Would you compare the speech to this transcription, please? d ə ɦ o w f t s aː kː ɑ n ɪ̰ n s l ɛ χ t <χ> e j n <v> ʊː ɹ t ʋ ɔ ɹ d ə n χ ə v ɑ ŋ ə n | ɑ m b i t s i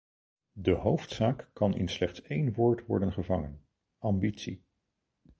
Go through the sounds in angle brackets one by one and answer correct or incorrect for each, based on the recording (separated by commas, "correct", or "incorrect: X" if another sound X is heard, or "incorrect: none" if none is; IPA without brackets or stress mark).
incorrect: s, incorrect: ʋ